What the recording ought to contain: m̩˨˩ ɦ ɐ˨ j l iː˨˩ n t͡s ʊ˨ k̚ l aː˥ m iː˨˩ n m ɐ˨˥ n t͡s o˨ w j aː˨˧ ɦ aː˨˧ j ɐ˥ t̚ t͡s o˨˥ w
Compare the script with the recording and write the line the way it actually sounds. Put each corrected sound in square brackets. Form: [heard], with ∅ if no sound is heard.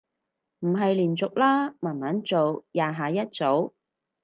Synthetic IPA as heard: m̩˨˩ ɦ ɐ˨ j l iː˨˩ n t͡s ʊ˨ k̚ l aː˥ m [aː˨˩] n m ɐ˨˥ n t͡s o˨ w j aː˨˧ ɦ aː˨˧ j ɐ˥ t̚ t͡s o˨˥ w